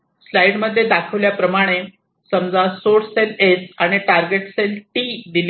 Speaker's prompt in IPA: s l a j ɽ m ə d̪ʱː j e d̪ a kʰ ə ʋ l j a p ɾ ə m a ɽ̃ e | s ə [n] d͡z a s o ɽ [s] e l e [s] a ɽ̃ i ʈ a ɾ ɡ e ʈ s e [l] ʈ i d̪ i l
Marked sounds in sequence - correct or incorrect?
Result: incorrect: m, correct, correct, correct

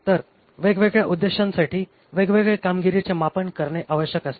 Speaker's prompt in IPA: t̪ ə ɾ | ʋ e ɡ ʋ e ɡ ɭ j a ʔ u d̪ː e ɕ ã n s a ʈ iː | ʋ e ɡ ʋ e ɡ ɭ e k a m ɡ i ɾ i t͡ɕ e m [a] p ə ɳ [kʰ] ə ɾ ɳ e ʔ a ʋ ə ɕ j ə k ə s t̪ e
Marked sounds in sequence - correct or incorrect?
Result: correct, incorrect: k

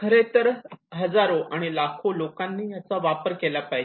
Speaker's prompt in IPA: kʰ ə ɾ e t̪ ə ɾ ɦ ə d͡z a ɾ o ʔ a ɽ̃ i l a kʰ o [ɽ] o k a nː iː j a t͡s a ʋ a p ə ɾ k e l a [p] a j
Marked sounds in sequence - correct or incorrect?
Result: incorrect: l, correct

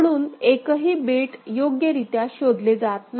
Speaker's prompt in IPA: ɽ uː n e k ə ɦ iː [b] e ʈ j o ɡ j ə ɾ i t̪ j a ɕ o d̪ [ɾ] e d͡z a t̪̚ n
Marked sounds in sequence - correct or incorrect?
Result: correct, incorrect: l

